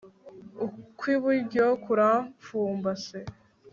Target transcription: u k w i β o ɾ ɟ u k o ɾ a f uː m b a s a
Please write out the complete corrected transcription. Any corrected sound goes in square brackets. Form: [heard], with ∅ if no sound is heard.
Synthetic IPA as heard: u k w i β [u] ɾ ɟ [o] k [u] ɾ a f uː m b a s [e]

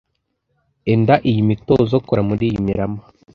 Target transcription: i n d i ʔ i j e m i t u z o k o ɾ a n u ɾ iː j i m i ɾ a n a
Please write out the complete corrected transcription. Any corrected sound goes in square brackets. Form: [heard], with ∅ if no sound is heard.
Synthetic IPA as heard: [e] n d [a] ʔ i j [i] m i t [o] z o k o ɾ a [m] u ɾ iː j i m i ɾ a [m] a

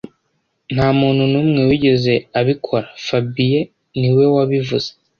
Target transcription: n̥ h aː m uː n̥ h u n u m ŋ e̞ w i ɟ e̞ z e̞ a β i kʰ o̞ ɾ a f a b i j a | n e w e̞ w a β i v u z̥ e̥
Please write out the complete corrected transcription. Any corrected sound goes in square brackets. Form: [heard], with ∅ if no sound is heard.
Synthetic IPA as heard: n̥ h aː m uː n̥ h u n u m ŋ e̞ w i ɟ e̞ z e̞ a β i kʰ o̞ ɾ a f a b i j [e] | n [i] w e̞ w a β i v u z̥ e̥

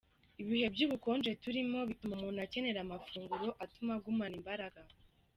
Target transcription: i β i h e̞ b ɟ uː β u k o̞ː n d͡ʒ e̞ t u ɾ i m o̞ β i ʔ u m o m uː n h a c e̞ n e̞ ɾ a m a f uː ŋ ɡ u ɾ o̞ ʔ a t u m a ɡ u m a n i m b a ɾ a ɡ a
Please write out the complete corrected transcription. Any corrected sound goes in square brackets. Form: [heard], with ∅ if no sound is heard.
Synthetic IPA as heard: i β i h e̞ b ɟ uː β u k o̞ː n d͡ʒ e̞ t u ɾ i m o̞ β i [t] u m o m uː n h a c e̞ n e̞ ɾ a m a f uː ŋ ɡ u ɾ o̞ ʔ a t u m a ɡ u m a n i m b a ɾ a ɡ a

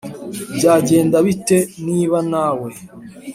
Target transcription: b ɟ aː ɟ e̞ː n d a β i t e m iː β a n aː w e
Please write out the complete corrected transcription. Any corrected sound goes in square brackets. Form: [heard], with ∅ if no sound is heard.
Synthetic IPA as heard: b ɟ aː ɟ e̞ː n d a β i t e [n] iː β a n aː w e

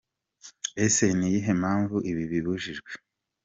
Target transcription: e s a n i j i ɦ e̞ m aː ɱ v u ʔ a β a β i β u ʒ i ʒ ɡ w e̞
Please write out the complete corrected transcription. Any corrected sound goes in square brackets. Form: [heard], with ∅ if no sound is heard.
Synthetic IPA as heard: e s [e] n i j i ɦ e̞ m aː ɱ v u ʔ [i] β [i] β i β u ʒ i ʒ ɡ w e̞

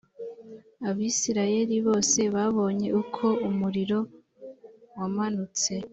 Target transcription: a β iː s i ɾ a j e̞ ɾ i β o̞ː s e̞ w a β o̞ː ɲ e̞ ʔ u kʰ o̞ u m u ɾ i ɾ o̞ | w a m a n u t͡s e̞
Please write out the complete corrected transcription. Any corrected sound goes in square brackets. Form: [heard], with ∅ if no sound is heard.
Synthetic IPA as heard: a β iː s i ɾ a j e̞ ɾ i β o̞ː s e̞ [β] a β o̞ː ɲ e̞ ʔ u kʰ o̞ u m u ɾ i ɾ o̞ | w a m a n u t͡s e̞

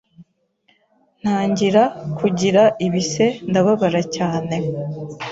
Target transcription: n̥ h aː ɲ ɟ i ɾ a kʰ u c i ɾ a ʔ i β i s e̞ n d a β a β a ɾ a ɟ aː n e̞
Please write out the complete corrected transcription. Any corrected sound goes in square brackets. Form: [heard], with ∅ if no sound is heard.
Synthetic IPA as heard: n̥ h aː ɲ ɟ i ɾ a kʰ u [ɟ] i ɾ a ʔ i β i s e̞ n d a β a β a ɾ a [c] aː n e̞

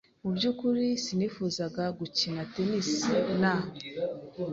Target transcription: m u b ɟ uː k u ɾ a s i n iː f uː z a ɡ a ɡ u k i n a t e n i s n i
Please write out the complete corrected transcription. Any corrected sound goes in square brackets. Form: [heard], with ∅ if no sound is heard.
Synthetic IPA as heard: m u b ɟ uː k u ɾ [i] s i n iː f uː z a ɡ a ɡ u [c] i n a t e n i s n [a]

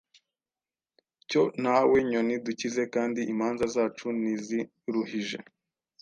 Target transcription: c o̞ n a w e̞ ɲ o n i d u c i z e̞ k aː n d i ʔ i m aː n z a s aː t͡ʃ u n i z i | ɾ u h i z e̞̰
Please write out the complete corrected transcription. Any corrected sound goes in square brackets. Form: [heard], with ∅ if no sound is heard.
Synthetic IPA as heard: c o̞ n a w e̞ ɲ o n i d u c i z e̞ k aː n d i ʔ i m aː n z a [z] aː t͡ʃ u n i z i | ɾ u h i [ʒ] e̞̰

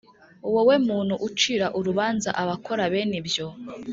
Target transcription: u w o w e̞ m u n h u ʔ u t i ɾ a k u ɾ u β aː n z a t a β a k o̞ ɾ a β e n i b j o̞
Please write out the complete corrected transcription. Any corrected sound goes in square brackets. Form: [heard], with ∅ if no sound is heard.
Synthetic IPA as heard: u w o w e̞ m [uː] n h u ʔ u [t͡ʃ] i ɾ a [ʔ] u ɾ u β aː n z a [ʔ] a β a k o̞ ɾ a β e n i b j o̞

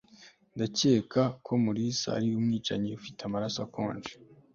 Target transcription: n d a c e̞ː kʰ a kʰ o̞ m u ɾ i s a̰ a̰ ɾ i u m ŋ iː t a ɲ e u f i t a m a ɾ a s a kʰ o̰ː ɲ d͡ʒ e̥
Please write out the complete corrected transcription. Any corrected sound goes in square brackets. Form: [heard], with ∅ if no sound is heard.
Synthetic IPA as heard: n d a c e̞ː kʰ a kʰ o̞ m u ɾ i s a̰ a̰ ɾ i u m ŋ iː [t͡ʃ] a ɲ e u f i t a m a ɾ a s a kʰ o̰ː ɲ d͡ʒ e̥

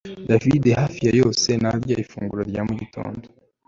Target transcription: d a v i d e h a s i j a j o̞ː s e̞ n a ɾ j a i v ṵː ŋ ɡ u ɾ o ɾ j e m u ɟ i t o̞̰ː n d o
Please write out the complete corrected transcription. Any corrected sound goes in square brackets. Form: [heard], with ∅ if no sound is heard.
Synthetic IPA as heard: d a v i d e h a [f] i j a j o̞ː s e̞ n a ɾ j a i [f] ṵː ŋ ɡ u ɾ o ɾ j [a] m u ɟ i t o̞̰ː n d o

